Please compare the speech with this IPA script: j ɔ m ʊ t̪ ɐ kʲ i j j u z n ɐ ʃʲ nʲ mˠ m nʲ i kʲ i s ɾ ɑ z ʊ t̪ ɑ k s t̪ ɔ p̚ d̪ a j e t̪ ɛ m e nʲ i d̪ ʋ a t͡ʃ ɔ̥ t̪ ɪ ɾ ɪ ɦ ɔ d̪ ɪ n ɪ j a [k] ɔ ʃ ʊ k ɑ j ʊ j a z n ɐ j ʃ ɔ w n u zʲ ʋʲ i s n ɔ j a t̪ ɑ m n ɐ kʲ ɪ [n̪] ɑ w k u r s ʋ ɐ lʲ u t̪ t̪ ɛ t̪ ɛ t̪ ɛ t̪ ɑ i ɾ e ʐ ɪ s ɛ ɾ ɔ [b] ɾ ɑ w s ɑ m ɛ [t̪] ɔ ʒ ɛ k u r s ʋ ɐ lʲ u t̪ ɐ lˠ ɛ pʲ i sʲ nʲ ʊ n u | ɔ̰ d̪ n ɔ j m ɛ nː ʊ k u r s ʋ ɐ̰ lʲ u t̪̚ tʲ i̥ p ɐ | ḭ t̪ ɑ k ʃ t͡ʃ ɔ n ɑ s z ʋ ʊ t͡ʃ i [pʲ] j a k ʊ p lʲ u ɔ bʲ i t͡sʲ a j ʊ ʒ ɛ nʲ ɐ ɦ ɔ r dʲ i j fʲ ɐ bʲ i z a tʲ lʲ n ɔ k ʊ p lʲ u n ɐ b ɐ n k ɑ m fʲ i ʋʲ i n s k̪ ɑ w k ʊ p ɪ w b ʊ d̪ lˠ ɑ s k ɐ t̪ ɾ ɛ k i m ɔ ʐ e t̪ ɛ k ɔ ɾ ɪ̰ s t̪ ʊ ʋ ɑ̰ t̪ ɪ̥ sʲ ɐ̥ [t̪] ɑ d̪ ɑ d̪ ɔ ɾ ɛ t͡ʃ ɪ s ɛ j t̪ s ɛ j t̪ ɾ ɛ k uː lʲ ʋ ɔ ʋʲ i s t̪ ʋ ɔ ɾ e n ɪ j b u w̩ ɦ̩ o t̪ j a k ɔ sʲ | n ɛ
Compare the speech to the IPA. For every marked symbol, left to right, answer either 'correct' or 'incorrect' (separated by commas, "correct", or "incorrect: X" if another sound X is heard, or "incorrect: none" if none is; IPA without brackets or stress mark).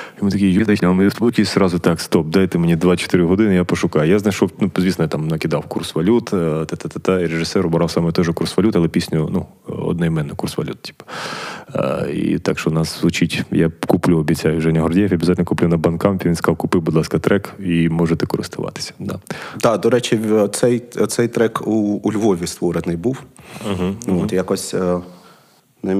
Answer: incorrect: p, incorrect: d̪, correct, correct, incorrect: tʲ, incorrect: d̪